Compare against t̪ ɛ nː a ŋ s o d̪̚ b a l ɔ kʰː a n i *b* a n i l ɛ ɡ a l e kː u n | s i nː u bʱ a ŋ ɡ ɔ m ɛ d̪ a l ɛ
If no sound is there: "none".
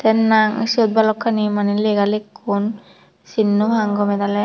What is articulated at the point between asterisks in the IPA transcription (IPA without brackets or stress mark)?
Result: m